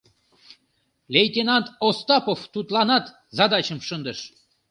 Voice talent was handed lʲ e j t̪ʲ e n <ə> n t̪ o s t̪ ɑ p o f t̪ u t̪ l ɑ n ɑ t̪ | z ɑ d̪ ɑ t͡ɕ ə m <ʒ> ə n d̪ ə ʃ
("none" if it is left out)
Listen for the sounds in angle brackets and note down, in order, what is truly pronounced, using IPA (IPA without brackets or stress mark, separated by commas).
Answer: ɑ, ʃ